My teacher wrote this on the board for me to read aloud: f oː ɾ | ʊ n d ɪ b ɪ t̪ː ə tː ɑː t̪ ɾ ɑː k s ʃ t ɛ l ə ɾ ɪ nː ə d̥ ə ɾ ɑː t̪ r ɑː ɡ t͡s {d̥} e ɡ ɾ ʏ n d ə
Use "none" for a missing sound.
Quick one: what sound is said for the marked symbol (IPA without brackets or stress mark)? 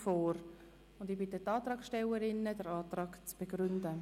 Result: b̥